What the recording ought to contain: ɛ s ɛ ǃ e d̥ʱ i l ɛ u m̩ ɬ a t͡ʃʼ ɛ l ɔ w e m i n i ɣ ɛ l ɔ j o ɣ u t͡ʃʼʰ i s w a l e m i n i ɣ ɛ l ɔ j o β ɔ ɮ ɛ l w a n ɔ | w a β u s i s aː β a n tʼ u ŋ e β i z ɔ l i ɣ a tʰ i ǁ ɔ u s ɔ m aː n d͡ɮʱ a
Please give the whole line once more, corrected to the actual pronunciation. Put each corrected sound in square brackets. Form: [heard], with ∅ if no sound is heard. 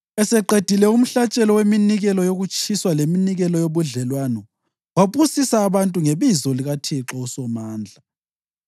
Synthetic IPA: ɛ s ɛ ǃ e d̥ʱ i l ɛ u m̩ ɬ a t͡ʃʼ ɛ l ɔ w e m i n i ɣ ɛ l ɔ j o ɣ u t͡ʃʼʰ i s w a l e m i n i ɣ ɛ l ɔ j o β [u] ɮ ɛ l w a n ɔ | w a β u s i s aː β a n tʼ u ŋ e β i z ɔ l i ɣ a tʰ i ǁ ɔ u s ɔ m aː n d͡ɮʱ a